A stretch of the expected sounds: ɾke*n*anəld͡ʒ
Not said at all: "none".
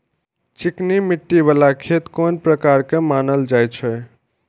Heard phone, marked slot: m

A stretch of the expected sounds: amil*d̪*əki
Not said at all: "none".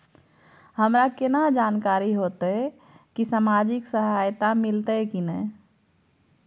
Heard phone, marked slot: t̪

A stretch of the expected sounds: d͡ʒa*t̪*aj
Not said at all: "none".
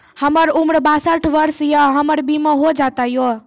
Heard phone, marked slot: t̪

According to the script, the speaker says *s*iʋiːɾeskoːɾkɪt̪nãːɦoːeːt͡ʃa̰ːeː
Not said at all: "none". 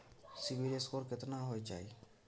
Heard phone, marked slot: s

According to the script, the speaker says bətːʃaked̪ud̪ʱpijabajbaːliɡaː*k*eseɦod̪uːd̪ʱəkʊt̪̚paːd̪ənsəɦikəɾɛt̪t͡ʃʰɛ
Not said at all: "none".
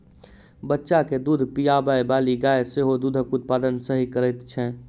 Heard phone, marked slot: none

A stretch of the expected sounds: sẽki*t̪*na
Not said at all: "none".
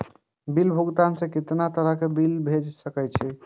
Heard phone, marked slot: t̪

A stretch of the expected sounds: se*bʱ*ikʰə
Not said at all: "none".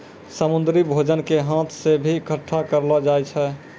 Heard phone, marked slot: bʱ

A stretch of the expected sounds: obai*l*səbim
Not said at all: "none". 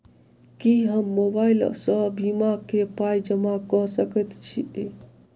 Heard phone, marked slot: l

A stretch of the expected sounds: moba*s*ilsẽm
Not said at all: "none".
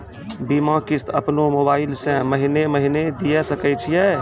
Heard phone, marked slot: none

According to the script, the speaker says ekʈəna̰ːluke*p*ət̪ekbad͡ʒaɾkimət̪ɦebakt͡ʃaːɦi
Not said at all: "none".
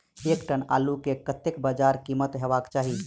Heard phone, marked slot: k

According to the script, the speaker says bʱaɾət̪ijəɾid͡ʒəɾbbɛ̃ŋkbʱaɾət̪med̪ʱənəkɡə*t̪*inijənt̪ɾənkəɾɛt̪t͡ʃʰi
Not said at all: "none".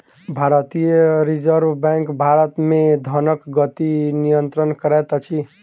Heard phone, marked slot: t̪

